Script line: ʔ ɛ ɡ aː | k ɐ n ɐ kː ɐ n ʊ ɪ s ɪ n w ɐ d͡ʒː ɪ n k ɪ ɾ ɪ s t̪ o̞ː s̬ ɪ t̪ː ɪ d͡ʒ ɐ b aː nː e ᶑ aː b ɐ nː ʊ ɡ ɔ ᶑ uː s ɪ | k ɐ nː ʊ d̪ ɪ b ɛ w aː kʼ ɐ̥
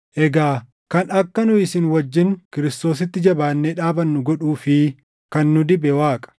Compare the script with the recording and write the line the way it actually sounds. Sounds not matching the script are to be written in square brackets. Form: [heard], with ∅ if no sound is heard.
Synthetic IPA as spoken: ʔ ɛ ɡ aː | k ɐ n ɐ kː ɐ n ʊ ɪ s ɪ n w ɐ d͡ʒː ɪ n k ɪ ɾ ɪ s t̪ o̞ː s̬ ɪ t̪ː ɪ d͡ʒ ɐ b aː nː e ᶑ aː b ɐ nː ʊ ɡ ɔ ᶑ uː [f] ɪ | k ɐ nː ʊ d̪ ɪ b ɛ w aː kʼ ɐ̥

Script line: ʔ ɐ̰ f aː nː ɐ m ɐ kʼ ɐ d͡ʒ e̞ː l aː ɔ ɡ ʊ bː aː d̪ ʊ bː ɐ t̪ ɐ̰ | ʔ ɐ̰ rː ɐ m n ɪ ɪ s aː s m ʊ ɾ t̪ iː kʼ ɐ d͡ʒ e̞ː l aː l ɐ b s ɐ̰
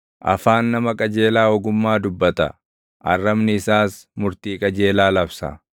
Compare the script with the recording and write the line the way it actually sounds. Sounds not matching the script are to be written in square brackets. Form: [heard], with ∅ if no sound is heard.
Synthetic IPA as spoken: ʔ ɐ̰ f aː nː ɐ m ɐ kʼ ɐ d͡ʒ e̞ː l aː ɔ ɡ ʊ [mː] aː d̪ ʊ bː ɐ t̪ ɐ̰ | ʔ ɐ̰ rː ɐ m n ɪ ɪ s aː s m ʊ ɾ t̪ iː kʼ ɐ d͡ʒ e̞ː l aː l ɐ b s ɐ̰

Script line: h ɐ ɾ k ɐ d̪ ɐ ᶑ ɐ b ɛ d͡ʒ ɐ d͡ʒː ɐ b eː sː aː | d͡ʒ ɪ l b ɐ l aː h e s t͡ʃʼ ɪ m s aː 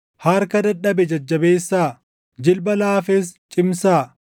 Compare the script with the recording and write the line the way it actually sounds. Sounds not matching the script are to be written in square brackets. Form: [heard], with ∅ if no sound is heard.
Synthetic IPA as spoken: h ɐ ɾ k ɐ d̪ ɐ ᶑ ɐ b ɛ d͡ʒ ɐ d͡ʒː ɐ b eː sː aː | d͡ʒ ɪ l b ɐ l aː [f] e s t͡ʃʼ ɪ m s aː

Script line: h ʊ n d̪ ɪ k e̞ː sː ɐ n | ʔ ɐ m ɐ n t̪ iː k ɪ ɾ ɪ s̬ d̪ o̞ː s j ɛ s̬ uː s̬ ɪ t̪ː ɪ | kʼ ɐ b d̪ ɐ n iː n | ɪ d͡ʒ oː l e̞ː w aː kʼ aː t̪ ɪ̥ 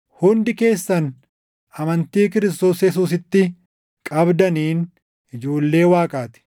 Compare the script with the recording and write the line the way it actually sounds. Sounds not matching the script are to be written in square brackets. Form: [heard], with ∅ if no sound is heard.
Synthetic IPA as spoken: h ʊ n d̪ ɪ k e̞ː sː ɐ n | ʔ ɐ m ɐ n t̪ iː k ɪ ɾ ɪ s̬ [t̪] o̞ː s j ɛ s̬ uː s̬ ɪ t̪ː ɪ | kʼ ɐ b d̪ ɐ n iː n | ɪ d͡ʒ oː [lː] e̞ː w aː kʼ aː t̪ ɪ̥

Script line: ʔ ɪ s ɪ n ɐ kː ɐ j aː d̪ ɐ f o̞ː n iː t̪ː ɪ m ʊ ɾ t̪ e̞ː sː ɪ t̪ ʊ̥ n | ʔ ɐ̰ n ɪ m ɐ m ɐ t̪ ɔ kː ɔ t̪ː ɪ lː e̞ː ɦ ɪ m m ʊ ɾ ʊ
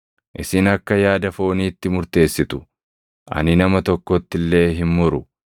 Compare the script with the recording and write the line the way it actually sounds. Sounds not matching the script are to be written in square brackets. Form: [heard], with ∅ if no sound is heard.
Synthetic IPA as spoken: ʔ ɪ s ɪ n ɐ kː ɐ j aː d̪ ɐ f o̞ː n iː t̪ː ɪ m ʊ ɾ t̪ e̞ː sː ɪ t̪ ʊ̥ [∅] | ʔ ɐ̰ n ɪ [n] ɐ m ɐ t̪ ɔ kː ɔ t̪ː ɪ lː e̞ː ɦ ɪ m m ʊ ɾ ʊ

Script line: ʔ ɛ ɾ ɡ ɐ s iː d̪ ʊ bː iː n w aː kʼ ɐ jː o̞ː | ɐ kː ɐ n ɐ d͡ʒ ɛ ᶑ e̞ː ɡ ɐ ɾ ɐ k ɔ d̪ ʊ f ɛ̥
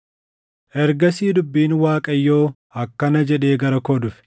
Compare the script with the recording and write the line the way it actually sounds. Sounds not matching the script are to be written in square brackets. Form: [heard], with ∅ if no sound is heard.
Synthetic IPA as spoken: ʔ ɛ ɾ ɡ ɐ s iː d̪ ʊ bː iː n w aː kʼ ɐ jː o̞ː | ɐ kː ɐ n ɐ d͡ʒ ɛ ᶑ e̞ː ɡ ɐ ɾ ɐ k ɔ d̪ ʊ f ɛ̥

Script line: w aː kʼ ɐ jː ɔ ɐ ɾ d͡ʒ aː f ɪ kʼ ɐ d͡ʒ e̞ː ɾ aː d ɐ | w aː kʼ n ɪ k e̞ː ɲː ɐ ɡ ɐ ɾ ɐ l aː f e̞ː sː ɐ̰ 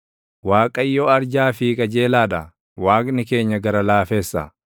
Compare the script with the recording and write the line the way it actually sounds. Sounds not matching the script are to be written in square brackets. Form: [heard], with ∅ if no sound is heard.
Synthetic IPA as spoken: w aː kʼ ɐ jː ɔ ɐ ɾ d͡ʒ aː f ɪ kʼ ɐ d͡ʒ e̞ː [l] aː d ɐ | w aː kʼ n ɪ k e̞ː ɲː ɐ ɡ ɐ ɾ ɐ l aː f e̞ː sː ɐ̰

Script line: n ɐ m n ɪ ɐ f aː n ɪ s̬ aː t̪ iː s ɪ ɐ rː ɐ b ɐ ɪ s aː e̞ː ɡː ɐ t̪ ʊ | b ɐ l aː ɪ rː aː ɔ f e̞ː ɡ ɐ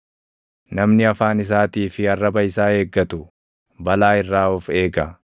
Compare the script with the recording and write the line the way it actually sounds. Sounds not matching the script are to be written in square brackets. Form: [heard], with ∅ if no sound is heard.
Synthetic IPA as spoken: n ɐ m n ɪ ɐ f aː n ɪ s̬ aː t̪ iː [f] ɪ ɐ rː ɐ b ɐ ɪ s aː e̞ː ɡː ɐ t̪ ʊ | b ɐ l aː ɪ rː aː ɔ f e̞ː ɡ ɐ

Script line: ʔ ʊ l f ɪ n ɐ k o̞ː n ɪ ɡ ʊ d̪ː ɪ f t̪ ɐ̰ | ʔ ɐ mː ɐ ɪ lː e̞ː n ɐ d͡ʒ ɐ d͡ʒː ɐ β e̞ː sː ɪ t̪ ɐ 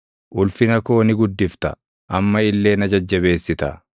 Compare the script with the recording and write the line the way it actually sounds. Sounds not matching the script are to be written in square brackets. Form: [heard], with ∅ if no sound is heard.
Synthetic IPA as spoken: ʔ ʊ l f ɪ n ɐ k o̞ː n ɪ ɡ ʊ d̪ː ɪ f t̪ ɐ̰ | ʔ ɐ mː ɐ ɪ lː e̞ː n ɐ d͡ʒ ɐ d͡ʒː ɐ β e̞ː sː ɪ t̪ ɐ

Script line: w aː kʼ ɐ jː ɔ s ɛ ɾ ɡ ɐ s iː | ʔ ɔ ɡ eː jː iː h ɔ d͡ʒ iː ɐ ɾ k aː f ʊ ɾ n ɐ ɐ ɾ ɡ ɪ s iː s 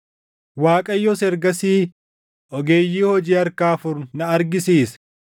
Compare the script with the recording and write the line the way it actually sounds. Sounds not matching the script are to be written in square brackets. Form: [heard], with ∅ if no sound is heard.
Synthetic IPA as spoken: w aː kʼ ɐ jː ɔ s ɛ ɾ ɡ ɐ s iː | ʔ ɔ ɡ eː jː iː h ɔ d͡ʒ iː ɐ ɾ k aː f ʊ ɾ n ɐ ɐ ɾ ɡ ɪ s iː s

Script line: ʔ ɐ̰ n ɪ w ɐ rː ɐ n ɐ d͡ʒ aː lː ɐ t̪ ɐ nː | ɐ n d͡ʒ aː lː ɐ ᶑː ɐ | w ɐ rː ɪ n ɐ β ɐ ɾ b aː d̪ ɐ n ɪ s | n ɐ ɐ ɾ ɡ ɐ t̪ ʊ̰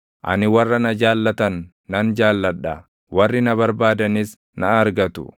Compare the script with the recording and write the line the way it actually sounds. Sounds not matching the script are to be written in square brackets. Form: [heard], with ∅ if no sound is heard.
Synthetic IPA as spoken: ʔ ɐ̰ n ɪ w ɐ rː ɐ n ɐ d͡ʒ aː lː ɐ t̪ ɐ nː | ɐ n d͡ʒ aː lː ɐ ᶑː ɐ | w ɐ rː ɪ n ɐ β ɐ ɾ b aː d̪ ɐ n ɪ s | n ɐ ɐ ɾ ɡ ɐ t̪ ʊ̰

